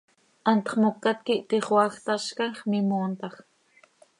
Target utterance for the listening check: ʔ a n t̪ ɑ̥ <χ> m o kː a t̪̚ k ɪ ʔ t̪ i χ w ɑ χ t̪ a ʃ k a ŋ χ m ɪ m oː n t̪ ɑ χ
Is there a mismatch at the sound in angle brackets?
no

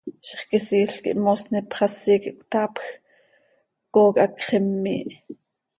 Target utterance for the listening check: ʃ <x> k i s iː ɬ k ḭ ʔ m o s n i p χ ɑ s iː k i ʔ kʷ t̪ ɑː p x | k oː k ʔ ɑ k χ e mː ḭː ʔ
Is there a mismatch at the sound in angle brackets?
yes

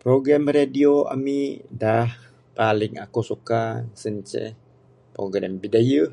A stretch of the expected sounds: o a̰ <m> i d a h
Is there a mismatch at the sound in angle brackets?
no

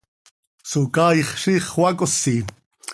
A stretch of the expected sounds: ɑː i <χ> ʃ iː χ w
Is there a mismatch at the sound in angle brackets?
no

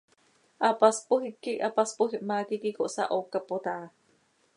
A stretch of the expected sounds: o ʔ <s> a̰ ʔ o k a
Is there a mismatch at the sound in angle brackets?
no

